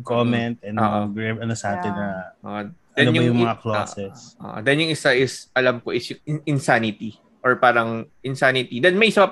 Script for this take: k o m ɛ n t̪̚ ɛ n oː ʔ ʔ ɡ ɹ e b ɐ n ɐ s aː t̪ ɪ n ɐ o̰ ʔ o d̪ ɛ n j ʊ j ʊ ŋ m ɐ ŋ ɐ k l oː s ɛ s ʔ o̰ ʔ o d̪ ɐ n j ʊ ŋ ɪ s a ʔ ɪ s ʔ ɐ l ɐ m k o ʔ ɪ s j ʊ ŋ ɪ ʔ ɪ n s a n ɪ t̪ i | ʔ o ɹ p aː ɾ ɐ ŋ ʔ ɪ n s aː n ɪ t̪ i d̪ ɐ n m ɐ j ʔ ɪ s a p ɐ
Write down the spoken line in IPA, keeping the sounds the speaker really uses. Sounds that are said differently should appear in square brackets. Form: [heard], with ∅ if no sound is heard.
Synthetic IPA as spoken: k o m ɛ n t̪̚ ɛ n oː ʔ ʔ ɡ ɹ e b ɐ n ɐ s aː t̪ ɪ n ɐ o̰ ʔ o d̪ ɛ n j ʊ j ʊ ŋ m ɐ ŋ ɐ k l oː s ɛ s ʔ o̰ ʔ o d̪ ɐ n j ʊ ŋ ɪ s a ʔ ɪ s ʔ ɐ l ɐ m k o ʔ ɪ s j ʊ ŋ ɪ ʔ ɪ n s a n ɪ t̪ i | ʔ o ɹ p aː ɾ ɐ ŋ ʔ ɪ n s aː n ɪ t̪ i d̪ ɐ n m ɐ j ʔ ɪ s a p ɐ